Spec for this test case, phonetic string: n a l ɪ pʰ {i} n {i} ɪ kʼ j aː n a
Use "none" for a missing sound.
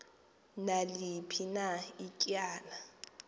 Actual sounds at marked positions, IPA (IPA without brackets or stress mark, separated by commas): i, a